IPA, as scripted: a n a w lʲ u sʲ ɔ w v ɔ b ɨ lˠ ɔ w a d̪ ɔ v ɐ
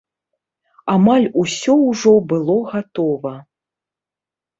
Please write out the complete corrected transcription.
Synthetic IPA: a m a lʲ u sʲ ɔ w ʐ ɔ b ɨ lˠ ɔ ɣ a t̪ ɔ v ɐ